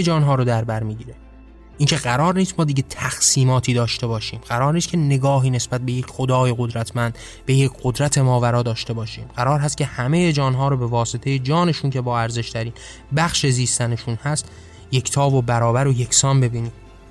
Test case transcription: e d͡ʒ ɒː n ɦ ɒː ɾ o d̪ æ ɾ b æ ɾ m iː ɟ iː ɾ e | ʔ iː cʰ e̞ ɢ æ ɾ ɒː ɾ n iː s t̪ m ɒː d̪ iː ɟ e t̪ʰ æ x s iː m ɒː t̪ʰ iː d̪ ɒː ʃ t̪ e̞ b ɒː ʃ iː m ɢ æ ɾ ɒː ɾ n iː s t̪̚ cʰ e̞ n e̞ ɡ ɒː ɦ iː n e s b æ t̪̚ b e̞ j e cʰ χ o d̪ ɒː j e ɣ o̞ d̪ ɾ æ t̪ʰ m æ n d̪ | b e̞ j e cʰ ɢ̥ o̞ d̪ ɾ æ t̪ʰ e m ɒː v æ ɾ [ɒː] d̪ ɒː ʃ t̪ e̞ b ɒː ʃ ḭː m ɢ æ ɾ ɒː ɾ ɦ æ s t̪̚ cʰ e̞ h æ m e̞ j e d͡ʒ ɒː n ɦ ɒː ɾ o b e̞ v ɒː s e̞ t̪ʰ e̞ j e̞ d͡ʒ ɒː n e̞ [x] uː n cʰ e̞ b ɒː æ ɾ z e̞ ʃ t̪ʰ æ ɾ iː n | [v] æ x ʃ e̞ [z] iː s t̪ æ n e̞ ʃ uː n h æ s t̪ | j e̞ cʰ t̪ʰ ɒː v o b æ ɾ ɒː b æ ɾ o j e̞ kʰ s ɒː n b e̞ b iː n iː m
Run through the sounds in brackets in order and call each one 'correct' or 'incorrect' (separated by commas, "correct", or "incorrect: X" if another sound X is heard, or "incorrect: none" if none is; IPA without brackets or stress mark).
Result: correct, incorrect: ʃ, incorrect: b, correct